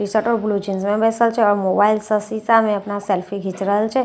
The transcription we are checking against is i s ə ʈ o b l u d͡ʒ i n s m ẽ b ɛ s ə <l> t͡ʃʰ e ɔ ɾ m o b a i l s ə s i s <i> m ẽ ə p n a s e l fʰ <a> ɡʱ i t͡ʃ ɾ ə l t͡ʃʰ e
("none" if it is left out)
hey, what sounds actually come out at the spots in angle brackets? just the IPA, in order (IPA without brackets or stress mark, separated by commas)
l, a, i